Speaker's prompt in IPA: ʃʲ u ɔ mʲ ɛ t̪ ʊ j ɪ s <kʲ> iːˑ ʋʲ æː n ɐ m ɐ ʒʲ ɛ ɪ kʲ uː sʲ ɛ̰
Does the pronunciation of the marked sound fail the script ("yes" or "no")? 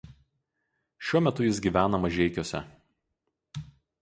yes